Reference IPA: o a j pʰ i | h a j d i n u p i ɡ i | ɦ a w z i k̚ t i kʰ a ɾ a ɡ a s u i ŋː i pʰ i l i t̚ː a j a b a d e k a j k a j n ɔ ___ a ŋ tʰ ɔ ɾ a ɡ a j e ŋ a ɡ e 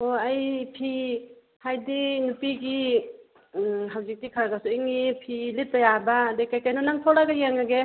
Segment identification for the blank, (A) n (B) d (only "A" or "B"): A